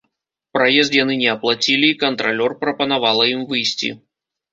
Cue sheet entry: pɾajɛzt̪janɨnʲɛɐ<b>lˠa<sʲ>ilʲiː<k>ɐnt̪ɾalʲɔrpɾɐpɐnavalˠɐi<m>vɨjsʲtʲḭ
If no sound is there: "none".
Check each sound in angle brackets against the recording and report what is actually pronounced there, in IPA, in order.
p, t͡sʲ, k, m

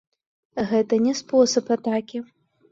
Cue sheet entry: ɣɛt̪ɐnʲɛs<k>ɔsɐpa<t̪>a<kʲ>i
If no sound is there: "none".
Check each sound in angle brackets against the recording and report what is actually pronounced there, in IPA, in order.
p, t̪, kʲ

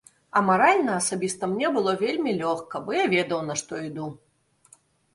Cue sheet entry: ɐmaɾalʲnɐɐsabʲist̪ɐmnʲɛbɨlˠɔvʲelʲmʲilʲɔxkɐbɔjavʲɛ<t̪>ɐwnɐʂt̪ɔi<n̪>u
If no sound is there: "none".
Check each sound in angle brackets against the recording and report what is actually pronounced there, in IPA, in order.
d̪, d̪

